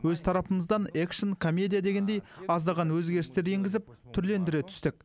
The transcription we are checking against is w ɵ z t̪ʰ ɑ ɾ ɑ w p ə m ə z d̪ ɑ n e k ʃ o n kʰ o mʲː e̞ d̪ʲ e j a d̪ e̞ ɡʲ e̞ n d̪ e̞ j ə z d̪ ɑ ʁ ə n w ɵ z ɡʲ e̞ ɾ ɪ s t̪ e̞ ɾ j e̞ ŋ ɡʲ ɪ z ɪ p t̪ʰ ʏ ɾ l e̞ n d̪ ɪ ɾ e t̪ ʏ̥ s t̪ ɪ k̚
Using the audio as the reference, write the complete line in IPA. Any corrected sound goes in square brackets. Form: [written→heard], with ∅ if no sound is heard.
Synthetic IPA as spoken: w ɵ z t̪ʰ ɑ ɾ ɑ [w→∅] p ə m ə z d̪ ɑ n e k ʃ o n kʰ o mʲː e̞ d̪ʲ [e→i] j a d̪ e̞ ɡʲ e̞ n d̪ e̞ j [ə→ɑ] z d̪ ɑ ʁ [ə→ɑ] n w ɵ z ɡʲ e̞ ɾ ɪ s t̪ e̞ ɾ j e̞ ŋ ɡʲ ɪ z ɪ p t̪ʰ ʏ ɾ l e̞ n d̪ ɪ ɾ e [t̪→t̪ʰ] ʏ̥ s t̪ ɪ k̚

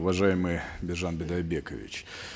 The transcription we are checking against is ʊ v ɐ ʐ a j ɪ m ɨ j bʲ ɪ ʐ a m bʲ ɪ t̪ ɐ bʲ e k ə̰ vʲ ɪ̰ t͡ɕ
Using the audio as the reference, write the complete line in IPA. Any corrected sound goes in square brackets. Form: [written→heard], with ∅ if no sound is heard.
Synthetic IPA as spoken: ʊ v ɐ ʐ a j ɪ m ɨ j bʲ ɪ ʐ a [m→n] bʲ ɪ [t̪→d̪] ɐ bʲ e k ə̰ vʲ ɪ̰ t͡ɕ

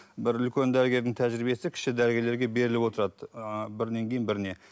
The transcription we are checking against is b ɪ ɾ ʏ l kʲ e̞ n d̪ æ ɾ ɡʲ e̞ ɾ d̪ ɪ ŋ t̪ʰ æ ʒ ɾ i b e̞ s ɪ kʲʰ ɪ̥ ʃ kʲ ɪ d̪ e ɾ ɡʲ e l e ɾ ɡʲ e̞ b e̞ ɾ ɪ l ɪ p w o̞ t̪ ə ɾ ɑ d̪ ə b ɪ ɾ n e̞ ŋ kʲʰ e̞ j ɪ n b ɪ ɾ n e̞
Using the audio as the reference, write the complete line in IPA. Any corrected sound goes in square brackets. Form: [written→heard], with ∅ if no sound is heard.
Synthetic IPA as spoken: b ɪ ɾ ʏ l kʲ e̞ n d̪ æ ɾ ɡʲ e̞ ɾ d̪ ɪ ŋ t̪ʰ æ ʒ ɾ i b e̞ s ɪ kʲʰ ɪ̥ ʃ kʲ ɪ d̪ [e→æ] ɾ ɡʲ e l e ɾ ɡʲ e̞ b e̞ ɾ ɪ l ɪ p w o̞ t̪ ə ɾ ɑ d̪ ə b ɪ ɾ n e̞ ŋ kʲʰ e̞ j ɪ n b ɪ ɾ n e̞

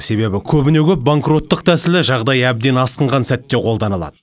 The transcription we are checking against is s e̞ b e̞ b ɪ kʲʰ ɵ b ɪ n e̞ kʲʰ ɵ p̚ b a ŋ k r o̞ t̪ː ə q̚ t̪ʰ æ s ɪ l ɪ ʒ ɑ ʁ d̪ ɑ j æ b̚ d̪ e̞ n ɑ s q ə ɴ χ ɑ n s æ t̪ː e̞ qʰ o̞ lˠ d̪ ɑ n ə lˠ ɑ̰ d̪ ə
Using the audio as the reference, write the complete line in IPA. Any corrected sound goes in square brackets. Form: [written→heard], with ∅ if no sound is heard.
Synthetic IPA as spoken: s e̞ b e̞ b ɪ kʲʰ ɵ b ɪ n e̞ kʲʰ ɵ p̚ b a ŋ k r o̞ t̪ː ə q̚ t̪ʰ æ s ɪ l ɪ ʒ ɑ ʁ d̪ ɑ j æ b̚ d̪ e̞ n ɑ s q ə ɴ [χ→ʁ] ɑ n s æ t̪ː e̞ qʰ o̞ lˠ d̪ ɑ n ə lˠ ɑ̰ d̪ ə

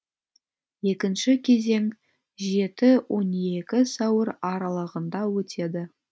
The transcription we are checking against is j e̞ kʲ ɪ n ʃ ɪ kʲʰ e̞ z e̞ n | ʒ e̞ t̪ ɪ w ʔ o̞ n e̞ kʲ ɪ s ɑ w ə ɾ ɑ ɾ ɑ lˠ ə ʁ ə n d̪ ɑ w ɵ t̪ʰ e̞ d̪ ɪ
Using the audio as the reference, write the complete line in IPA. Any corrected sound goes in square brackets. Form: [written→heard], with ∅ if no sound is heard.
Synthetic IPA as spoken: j e̞ kʲ ɪ n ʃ ɪ kʲʰ e̞ z e̞ [n→ŋ] | ʒ e̞ t̪ ɪ w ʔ o̞ n e̞ kʲ ɪ s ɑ w ə ɾ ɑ ɾ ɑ lˠ ə ʁ ə n d̪ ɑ w ɵ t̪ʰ e̞ d̪ ɪ

